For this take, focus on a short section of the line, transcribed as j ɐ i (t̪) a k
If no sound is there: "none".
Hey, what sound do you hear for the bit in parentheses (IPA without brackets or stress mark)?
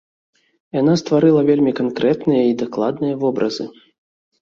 d̪